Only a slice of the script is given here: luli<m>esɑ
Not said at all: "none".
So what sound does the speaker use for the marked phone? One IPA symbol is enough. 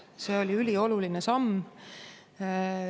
n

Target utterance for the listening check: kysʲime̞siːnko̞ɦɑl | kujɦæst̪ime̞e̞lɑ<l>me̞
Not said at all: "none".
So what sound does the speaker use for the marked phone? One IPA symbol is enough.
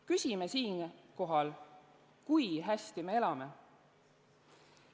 none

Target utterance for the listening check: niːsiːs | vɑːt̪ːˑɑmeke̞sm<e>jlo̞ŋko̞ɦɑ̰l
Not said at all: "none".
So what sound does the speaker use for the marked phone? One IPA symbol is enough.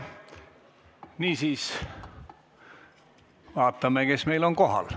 e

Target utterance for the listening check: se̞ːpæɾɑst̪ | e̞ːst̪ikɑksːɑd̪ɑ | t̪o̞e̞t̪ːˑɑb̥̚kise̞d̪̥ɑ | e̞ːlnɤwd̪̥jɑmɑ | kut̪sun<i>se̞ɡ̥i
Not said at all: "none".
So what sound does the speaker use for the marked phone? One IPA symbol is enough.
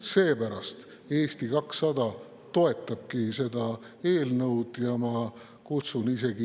i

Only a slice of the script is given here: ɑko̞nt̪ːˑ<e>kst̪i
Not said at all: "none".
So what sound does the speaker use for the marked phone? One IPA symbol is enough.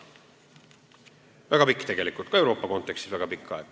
e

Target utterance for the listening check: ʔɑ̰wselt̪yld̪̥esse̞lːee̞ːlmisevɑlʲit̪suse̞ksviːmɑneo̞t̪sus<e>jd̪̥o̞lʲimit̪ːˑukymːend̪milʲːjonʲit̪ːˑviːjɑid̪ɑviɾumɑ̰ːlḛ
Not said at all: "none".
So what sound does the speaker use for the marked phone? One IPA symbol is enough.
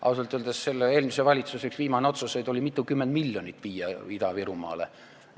e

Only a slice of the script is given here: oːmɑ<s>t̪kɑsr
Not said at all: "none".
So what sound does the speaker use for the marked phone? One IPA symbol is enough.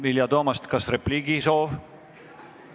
s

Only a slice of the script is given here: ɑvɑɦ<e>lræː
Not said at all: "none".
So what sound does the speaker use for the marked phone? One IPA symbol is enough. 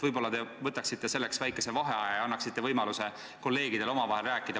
e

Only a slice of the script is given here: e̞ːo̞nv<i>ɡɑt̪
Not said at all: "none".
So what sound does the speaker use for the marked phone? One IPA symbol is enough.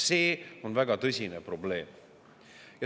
æ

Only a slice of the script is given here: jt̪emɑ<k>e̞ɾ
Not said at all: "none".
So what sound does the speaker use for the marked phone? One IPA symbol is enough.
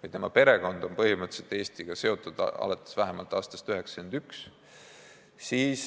p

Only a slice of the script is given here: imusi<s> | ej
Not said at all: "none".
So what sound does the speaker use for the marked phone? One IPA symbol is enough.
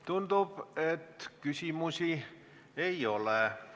none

